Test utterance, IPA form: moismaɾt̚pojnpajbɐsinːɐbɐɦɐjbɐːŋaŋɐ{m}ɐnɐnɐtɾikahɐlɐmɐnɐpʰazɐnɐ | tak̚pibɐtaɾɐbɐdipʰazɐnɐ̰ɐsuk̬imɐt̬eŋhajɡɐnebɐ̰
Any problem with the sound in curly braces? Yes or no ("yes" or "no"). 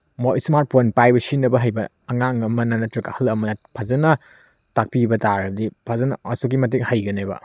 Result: no